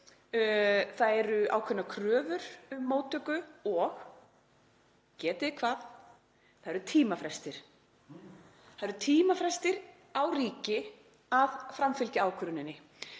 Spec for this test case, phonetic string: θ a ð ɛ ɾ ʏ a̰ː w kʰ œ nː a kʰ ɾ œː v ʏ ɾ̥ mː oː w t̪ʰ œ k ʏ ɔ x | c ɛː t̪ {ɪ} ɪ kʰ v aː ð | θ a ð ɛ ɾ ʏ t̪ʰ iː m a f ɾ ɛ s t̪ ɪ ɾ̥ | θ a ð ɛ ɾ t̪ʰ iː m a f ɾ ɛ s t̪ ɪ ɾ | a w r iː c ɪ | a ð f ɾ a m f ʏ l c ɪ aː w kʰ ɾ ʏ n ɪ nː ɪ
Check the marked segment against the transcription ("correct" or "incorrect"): correct